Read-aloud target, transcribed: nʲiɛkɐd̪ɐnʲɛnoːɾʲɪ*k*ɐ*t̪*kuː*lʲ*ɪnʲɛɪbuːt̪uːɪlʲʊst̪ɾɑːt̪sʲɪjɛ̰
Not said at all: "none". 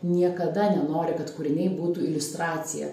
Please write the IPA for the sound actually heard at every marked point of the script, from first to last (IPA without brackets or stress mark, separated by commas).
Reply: k, t̪, ɾʲ